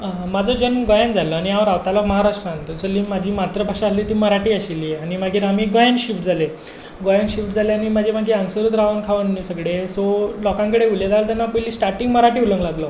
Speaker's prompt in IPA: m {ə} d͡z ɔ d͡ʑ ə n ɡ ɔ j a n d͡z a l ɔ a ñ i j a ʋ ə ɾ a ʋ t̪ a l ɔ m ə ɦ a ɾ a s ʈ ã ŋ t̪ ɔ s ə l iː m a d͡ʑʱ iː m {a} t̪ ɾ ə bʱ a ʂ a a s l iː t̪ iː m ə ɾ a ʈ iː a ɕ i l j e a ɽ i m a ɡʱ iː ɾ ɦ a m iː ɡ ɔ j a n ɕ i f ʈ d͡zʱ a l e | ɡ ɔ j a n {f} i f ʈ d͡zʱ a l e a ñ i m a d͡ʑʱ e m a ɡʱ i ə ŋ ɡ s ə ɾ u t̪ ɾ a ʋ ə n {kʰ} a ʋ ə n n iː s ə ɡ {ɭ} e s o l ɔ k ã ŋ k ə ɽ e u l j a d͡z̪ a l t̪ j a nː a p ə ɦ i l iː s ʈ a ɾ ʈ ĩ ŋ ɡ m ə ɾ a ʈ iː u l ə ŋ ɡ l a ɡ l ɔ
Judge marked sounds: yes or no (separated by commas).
no, yes, no, yes, no